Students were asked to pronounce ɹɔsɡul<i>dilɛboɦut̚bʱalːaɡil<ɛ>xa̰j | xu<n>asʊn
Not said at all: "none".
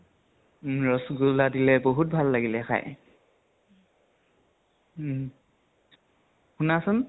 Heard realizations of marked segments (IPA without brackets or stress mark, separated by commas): a, ɛ, n